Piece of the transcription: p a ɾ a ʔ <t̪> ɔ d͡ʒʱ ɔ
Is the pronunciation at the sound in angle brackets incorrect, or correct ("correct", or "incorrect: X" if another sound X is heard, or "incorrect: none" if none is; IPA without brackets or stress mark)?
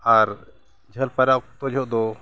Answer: correct